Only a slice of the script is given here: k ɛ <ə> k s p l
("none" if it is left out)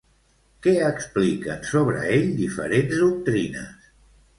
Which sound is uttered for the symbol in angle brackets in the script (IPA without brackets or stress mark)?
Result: ə